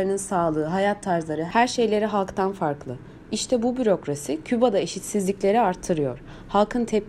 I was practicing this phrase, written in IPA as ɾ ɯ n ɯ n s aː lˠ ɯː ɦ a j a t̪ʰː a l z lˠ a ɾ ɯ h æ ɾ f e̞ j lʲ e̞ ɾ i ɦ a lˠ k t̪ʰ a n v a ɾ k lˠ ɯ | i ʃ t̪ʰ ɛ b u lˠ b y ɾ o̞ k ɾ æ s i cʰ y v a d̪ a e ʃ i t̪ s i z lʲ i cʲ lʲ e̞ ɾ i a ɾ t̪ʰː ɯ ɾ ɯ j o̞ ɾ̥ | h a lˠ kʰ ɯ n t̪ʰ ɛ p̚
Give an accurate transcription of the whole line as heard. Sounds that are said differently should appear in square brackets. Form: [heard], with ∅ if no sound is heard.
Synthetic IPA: ɾ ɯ n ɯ n s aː lˠ ɯː ɦ a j a t̪ʰː a [ɾ] z lˠ a ɾ ɯ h æ ɾ [ʃ] e̞ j lʲ e̞ ɾ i ɦ a lˠ k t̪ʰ a n [f] a ɾ k lˠ ɯ | i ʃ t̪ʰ ɛ b u [∅] b y ɾ o̞ k ɾ [a] s i cʰ y [b] a d̪ a e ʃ i t̪ s i z lʲ i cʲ lʲ e̞ ɾ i a ɾ t̪ʰː ɯ ɾ ɯ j o̞ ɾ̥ | h a lˠ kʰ ɯ n t̪ʰ ɛ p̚